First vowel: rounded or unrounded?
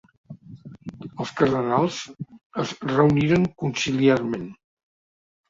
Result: unrounded